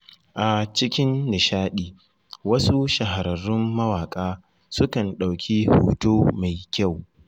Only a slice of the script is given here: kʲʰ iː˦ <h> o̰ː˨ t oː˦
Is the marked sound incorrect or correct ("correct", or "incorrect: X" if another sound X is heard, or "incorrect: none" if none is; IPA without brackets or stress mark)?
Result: correct